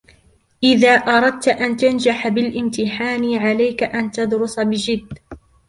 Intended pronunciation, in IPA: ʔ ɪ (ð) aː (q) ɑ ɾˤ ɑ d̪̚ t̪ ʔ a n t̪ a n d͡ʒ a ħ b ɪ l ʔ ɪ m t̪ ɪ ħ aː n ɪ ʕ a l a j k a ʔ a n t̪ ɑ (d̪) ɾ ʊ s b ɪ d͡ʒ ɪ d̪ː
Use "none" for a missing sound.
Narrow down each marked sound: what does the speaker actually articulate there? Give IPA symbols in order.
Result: ð, ʔ, d̪

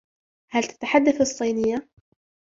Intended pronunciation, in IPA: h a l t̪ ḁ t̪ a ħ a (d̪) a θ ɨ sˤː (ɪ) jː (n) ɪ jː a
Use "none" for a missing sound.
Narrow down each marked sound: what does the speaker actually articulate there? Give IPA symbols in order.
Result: d̪ː, i, n

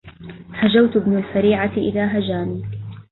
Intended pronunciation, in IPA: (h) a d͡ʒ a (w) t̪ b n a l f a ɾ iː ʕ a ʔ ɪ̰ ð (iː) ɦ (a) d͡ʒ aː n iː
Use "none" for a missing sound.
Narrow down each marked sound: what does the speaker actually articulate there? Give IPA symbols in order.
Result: h, w, aː, a

